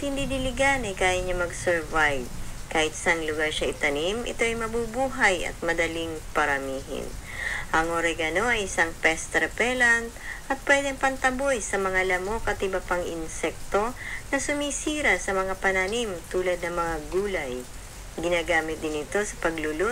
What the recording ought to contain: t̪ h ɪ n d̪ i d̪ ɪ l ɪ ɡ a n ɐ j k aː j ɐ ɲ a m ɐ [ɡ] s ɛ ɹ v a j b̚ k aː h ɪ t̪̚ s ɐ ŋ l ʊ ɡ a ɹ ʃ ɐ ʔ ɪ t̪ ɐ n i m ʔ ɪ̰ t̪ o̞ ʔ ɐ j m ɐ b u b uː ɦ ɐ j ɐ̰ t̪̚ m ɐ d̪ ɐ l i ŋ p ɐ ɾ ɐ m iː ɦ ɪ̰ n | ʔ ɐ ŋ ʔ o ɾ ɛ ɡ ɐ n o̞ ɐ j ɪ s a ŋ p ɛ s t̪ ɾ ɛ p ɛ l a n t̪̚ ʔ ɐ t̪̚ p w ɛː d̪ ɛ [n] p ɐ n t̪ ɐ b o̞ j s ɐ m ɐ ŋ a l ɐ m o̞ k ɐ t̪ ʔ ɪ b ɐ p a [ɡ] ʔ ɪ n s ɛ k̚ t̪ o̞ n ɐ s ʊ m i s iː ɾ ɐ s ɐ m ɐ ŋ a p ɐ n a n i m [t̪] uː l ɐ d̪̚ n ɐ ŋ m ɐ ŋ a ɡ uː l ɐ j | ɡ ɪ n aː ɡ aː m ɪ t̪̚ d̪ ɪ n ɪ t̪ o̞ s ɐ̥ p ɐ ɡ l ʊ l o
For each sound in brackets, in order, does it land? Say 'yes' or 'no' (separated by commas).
yes, no, no, yes